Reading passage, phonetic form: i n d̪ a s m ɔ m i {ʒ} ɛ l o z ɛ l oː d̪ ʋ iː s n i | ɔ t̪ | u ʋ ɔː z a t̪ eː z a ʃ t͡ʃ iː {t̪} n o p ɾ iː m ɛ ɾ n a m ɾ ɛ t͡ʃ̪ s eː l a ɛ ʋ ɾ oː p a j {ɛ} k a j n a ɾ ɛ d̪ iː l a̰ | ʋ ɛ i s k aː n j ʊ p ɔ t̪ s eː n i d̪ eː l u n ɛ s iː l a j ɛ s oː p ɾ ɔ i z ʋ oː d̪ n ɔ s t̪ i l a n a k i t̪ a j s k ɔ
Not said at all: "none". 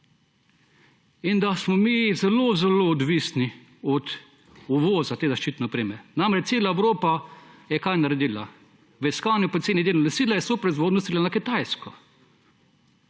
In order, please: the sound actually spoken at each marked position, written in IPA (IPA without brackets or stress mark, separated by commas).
z, t̪, ɛ